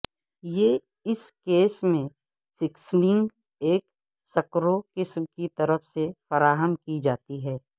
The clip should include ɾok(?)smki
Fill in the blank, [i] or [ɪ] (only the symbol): ɪ